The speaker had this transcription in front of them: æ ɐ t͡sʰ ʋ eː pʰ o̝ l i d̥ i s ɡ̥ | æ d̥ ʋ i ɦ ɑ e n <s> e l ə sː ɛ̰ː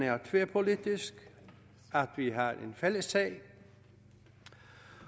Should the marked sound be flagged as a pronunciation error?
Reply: yes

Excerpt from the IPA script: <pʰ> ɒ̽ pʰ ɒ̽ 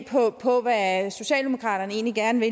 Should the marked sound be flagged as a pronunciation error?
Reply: no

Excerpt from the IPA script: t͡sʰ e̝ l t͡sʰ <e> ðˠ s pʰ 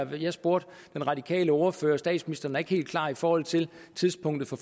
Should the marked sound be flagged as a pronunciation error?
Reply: yes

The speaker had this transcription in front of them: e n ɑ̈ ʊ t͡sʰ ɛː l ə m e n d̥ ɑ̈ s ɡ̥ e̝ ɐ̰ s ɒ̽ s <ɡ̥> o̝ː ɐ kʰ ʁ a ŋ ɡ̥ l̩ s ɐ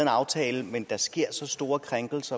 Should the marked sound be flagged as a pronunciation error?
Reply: yes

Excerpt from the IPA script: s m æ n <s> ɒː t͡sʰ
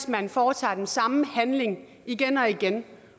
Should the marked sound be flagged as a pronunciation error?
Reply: yes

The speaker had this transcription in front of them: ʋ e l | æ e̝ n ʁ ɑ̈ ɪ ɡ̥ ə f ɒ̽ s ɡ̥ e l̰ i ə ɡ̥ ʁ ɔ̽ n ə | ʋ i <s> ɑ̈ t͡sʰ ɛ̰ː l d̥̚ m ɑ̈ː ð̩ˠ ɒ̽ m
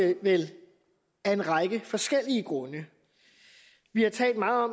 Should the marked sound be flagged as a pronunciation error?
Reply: yes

